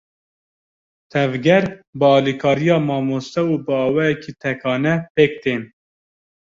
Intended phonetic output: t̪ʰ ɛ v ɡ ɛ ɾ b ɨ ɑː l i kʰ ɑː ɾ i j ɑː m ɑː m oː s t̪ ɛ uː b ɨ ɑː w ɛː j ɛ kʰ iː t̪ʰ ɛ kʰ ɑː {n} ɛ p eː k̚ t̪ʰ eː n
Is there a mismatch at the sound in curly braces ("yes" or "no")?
no